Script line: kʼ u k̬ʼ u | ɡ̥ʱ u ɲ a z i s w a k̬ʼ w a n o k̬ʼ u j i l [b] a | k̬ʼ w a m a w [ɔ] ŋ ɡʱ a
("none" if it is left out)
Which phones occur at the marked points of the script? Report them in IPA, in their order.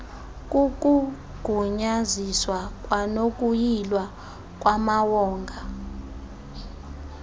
w, ɔː

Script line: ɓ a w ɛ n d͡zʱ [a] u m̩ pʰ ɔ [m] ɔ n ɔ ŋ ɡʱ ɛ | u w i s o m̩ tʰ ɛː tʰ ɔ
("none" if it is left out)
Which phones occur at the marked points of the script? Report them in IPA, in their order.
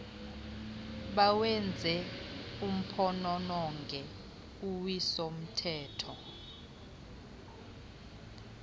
ɛ, n

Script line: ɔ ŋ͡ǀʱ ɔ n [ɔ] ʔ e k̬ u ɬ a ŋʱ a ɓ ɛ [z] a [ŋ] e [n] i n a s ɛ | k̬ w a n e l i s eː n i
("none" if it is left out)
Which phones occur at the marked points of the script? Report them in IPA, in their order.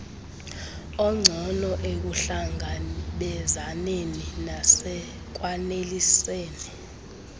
ɔ, z, n, n

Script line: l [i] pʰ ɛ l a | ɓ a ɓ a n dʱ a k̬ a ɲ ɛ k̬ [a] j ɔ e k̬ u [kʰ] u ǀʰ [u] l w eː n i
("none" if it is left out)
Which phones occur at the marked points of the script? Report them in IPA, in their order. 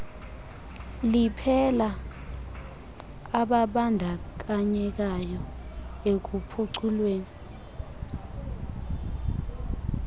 i, a, pʰ, u

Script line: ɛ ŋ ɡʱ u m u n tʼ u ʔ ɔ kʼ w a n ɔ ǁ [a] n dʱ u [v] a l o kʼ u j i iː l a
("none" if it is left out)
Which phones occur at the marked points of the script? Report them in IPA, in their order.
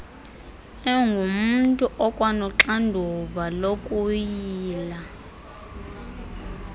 a, v

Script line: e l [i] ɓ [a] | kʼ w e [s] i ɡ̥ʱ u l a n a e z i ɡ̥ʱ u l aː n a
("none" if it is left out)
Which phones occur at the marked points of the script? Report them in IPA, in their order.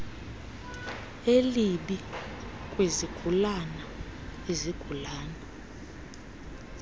i, i, z

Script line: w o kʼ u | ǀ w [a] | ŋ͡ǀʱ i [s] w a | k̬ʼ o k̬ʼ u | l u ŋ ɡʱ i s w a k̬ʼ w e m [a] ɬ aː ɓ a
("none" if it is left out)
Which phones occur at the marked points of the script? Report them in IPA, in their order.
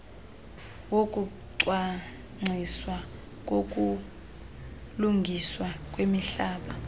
a, s, i

